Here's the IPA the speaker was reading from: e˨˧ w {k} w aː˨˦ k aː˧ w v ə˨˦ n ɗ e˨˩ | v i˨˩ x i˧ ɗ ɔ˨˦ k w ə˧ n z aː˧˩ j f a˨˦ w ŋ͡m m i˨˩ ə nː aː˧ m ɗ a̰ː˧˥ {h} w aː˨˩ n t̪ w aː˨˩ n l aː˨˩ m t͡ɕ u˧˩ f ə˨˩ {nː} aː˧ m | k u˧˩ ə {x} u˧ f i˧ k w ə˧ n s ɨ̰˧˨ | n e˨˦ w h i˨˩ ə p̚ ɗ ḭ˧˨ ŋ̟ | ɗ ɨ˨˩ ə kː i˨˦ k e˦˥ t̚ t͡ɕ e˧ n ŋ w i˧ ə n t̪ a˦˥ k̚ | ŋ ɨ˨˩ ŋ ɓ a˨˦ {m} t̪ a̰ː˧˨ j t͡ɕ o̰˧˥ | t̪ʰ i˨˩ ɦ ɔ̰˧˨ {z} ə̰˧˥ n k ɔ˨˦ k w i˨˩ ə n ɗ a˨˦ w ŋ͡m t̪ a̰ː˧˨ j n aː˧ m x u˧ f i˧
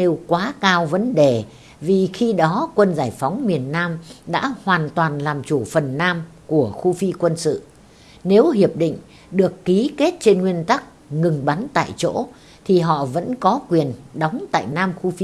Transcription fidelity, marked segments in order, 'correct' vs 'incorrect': correct, correct, correct, correct, incorrect: n, incorrect: v

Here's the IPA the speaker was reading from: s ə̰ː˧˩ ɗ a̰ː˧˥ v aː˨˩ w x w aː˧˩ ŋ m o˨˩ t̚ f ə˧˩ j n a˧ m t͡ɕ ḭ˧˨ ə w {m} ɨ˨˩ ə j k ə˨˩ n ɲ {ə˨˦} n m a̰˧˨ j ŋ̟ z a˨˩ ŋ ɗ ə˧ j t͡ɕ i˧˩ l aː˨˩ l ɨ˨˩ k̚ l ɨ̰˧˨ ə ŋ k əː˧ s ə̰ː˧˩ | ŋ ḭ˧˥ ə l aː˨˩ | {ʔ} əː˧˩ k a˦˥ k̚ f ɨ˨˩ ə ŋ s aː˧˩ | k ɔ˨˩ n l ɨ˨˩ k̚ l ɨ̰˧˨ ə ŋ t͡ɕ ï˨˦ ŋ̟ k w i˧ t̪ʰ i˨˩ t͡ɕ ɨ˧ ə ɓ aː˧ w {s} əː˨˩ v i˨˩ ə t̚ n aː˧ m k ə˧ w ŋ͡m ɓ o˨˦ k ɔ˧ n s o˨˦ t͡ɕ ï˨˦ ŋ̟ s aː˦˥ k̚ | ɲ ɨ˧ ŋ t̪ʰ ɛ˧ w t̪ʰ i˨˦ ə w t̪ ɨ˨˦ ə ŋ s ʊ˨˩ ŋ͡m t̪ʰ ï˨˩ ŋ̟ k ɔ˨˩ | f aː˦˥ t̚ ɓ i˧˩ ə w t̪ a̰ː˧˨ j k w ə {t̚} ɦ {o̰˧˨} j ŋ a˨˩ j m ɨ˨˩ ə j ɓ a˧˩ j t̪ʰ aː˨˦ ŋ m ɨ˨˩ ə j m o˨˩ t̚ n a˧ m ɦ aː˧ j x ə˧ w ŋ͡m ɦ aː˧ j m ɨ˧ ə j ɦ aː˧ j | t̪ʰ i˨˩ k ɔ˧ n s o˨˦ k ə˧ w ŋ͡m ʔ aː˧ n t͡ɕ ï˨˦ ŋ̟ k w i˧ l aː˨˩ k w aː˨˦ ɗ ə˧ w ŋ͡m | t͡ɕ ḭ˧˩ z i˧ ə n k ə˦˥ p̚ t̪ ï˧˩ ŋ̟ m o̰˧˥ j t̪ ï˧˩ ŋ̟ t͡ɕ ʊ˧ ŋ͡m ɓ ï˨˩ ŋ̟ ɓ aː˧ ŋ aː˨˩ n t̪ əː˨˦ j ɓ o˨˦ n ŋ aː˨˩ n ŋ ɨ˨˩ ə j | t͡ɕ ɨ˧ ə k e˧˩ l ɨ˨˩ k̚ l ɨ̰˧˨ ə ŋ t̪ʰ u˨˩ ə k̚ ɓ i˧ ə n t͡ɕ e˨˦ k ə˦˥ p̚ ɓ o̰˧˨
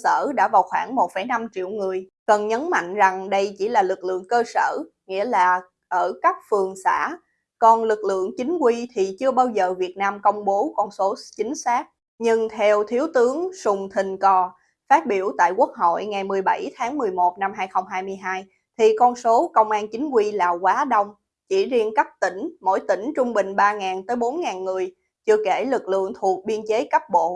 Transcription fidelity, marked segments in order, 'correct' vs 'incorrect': incorrect: ŋ, correct, correct, incorrect: z, incorrect: k̚, correct

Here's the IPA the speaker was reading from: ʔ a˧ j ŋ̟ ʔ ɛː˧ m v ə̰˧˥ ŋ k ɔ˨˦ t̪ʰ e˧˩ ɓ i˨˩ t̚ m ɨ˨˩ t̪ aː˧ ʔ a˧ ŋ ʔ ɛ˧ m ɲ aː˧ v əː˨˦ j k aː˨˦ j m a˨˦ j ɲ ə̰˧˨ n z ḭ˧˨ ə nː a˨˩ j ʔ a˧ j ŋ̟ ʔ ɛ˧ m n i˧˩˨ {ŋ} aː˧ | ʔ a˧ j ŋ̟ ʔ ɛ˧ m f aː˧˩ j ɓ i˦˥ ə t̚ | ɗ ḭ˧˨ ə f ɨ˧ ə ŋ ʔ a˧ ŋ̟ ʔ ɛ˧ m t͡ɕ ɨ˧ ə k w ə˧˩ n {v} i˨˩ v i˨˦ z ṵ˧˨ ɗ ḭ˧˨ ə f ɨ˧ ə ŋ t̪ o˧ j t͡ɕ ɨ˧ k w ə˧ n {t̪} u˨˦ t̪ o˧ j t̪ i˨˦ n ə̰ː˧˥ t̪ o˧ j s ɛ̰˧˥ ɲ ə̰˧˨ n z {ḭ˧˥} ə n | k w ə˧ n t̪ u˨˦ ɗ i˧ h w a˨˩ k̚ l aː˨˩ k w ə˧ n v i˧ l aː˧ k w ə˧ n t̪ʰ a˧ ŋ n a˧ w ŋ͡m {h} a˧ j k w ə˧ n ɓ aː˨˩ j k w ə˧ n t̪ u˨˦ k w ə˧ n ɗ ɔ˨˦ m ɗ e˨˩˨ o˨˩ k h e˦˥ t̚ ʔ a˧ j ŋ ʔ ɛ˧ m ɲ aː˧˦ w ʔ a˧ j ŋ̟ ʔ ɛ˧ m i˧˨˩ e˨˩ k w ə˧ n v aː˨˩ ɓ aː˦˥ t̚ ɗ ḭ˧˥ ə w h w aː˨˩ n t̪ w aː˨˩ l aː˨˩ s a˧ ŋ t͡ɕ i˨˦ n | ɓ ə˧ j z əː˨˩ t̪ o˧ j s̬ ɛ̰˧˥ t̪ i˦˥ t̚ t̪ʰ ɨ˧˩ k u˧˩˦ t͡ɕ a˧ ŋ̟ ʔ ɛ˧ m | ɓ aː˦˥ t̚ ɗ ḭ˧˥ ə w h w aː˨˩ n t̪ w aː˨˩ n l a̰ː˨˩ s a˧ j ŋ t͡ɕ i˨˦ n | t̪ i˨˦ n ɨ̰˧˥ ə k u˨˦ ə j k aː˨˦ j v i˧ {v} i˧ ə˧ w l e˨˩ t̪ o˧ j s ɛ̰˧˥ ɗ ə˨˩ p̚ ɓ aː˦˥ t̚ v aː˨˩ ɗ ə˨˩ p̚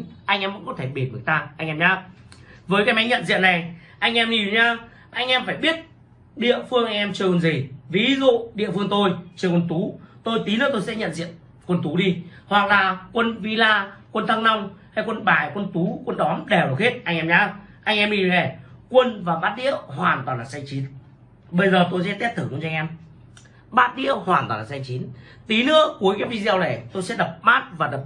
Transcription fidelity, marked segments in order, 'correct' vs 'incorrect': incorrect: ɲ, incorrect: z, correct, incorrect: ḭ˧˨, correct, incorrect: z

